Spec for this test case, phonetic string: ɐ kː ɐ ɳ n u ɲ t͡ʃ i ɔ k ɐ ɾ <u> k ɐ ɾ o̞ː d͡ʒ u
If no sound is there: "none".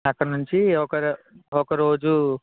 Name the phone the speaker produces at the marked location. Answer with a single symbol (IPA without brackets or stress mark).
ɔ